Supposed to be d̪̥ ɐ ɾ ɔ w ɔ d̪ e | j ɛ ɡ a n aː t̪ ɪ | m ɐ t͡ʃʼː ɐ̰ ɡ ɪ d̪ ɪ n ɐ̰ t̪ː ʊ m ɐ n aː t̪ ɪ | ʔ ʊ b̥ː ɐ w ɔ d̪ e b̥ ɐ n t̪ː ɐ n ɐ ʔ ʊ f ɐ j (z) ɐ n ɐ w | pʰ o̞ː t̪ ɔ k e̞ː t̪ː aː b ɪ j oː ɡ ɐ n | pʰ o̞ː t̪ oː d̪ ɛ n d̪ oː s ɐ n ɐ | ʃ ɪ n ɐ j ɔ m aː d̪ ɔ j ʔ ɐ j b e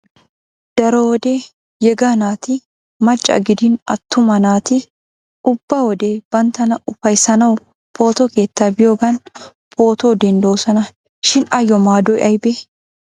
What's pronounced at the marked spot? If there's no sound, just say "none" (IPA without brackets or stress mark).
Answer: s